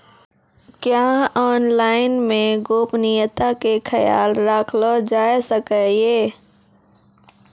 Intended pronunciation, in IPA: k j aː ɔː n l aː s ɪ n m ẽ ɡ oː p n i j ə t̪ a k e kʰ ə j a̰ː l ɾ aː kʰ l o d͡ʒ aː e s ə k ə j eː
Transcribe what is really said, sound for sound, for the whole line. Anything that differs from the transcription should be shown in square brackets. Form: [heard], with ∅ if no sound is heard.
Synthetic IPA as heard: k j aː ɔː n l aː [∅] ɪ n m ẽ ɡ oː p n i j ə t̪ a k e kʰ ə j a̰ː l ɾ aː kʰ l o d͡ʒ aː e s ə k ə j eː